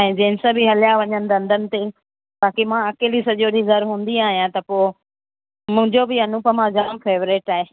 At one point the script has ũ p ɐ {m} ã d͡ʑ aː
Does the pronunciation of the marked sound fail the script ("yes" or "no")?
no